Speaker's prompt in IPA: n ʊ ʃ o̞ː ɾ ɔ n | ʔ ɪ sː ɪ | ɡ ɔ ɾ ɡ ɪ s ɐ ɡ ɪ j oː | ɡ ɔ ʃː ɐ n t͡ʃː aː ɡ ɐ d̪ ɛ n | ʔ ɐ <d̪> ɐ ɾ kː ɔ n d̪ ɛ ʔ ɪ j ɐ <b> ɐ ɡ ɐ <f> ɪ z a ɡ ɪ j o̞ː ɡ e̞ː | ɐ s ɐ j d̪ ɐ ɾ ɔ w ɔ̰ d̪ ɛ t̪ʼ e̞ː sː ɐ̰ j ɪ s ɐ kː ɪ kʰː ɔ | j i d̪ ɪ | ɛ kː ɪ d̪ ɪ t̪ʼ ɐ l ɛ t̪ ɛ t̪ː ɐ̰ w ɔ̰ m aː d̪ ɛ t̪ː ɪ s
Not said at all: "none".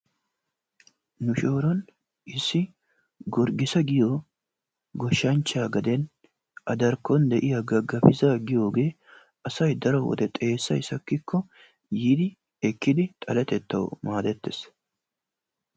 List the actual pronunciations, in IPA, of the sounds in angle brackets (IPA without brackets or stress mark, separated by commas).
d̪, ɡ, f